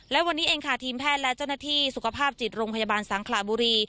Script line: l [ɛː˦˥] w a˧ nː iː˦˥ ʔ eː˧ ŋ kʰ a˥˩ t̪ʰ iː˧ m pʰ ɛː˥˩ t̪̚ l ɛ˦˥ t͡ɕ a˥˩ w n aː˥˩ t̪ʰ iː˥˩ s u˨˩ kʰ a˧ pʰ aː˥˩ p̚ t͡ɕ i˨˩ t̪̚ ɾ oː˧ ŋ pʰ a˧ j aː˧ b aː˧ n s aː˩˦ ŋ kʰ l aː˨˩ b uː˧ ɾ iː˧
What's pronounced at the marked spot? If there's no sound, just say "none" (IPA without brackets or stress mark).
ɛ˦˥